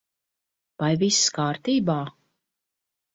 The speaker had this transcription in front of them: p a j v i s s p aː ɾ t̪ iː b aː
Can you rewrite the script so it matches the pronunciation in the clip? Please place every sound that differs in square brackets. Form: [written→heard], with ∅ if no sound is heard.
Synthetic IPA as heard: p a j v i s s [p→k] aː ɾ t̪ iː b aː